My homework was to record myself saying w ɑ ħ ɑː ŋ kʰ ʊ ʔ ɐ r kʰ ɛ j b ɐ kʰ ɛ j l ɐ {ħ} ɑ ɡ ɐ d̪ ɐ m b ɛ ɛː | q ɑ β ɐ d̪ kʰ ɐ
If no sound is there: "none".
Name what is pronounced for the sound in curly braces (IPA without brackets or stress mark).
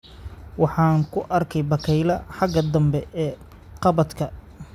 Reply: ħ